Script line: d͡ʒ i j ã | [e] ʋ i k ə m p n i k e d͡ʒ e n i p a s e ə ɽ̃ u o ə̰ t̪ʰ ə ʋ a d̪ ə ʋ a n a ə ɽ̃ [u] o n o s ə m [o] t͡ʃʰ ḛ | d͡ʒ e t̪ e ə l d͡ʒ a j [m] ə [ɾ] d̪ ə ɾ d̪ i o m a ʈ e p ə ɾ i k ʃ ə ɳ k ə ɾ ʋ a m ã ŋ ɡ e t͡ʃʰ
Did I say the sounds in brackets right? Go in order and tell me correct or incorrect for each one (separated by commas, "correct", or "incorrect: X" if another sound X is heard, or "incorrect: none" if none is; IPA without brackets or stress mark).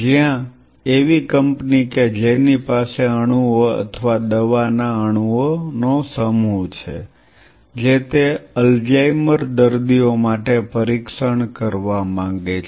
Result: correct, correct, incorrect: u, correct, correct